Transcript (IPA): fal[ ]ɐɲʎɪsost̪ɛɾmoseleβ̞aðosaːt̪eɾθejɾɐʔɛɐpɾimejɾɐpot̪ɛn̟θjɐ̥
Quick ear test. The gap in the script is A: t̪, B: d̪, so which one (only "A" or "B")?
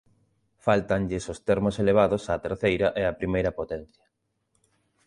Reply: A